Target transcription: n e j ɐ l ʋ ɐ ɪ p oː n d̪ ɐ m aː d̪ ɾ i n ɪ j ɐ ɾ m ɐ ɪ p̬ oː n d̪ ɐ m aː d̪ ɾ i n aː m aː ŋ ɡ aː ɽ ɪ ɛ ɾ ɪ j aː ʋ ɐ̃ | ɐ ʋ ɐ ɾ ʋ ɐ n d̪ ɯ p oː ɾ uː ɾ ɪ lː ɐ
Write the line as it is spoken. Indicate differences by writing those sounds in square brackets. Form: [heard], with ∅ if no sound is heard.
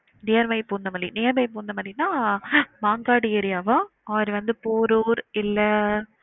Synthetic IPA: n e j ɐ [ɾ] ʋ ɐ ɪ p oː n d̪ ɐ m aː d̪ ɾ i n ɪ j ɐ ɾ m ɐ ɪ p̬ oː n d̪ ɐ m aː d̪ ɾ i n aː m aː ŋ ɡ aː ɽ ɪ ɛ ɾ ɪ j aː ʋ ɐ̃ | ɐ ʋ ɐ ɾ ʋ ɐ n d̪ ɯ p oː ɾ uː ɾ ɪ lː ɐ